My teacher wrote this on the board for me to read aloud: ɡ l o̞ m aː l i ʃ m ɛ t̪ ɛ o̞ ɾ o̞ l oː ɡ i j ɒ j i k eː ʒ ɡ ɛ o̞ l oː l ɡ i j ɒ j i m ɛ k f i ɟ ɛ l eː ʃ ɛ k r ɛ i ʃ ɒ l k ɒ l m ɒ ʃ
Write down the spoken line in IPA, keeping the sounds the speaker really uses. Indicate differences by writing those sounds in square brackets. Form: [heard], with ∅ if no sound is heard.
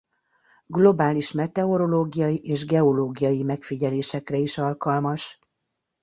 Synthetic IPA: ɡ l o̞ [b] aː l i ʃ m ɛ t̪ ɛ o̞ ɾ o̞ l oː ɡ i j ɒ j i [ʔ] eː ʒ ɡ ɛ o̞ l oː [∅] ɡ i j ɒ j i m ɛ k f i ɟ ɛ l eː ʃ ɛ k r ɛ i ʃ ɒ l k ɒ l m ɒ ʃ